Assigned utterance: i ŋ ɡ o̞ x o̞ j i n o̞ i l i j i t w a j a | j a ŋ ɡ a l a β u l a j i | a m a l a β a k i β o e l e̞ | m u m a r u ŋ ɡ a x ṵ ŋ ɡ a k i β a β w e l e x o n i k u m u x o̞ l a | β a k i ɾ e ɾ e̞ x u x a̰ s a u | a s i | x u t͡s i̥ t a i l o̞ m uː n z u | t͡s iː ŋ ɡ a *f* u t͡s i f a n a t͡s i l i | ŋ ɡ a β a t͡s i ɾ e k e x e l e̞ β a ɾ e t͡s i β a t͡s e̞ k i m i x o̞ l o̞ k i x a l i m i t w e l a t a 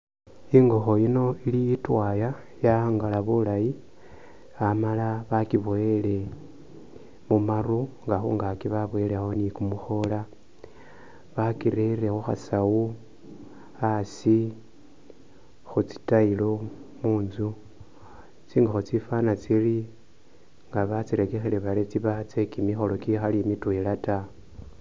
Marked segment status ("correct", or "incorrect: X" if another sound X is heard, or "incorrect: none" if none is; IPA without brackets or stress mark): incorrect: x